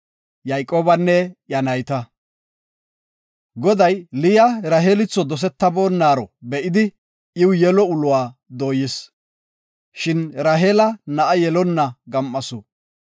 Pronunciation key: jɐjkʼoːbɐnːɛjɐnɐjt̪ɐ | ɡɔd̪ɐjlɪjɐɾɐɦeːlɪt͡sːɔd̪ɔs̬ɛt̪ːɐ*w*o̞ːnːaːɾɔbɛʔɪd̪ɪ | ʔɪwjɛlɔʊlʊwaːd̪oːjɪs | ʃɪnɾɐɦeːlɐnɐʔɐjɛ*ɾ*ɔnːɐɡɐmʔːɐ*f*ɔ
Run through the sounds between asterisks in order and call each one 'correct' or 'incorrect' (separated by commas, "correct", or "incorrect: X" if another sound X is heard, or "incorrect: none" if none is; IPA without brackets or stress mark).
incorrect: b, incorrect: l, incorrect: s